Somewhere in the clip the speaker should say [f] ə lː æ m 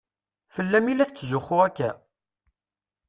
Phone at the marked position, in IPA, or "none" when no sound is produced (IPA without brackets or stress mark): f